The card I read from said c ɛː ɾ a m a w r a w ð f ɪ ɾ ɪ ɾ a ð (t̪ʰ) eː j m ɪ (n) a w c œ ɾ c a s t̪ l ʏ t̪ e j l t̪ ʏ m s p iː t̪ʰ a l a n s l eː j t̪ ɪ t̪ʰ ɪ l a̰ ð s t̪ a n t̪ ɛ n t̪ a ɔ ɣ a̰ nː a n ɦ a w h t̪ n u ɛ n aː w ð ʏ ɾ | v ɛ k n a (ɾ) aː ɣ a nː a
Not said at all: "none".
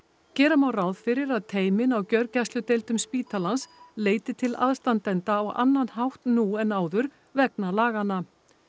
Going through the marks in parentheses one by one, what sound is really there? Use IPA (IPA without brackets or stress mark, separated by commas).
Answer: t̪ʰ, n, l